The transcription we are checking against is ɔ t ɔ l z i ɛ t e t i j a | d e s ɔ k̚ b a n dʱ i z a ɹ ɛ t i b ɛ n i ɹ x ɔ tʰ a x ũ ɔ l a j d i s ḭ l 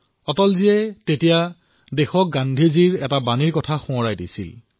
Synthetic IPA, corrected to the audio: ɔ t ɔ l z i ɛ t e t i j a | d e x ɔ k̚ ɡ a n dʱ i z i ɹ ɛ t a b a n i ɹ k ɔ tʰ a x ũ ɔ ɹ a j d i s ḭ l